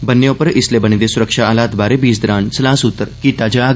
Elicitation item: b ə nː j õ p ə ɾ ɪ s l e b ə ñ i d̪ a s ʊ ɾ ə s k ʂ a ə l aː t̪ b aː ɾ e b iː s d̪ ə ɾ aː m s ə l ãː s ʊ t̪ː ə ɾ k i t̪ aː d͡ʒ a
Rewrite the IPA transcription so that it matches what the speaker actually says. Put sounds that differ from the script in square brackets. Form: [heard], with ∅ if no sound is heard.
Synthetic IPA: b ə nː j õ p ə ɾ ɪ s l e b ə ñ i d̪ [e] s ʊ ɾ ə [∅] k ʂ a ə l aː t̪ b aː ɾ e b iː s d̪ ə ɾ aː [n] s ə l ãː s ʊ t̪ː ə ɾ k i t̪ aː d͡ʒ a